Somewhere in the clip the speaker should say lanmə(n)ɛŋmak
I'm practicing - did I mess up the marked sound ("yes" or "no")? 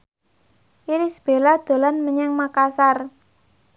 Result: yes